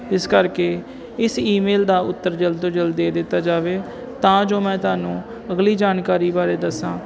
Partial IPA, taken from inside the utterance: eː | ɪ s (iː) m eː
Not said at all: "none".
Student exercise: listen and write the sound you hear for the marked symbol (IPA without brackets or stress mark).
iː